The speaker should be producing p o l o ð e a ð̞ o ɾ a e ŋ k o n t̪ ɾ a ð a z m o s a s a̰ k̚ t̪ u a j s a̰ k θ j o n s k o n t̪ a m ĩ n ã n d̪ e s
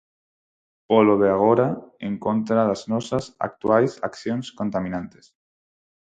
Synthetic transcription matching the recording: p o l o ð e a ɣ̞ o ɾ a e ŋ k o n t̪ ɾ a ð a z n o s a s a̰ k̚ t̪ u a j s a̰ k θ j o n s k o n t̪ a m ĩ n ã n t̪ e s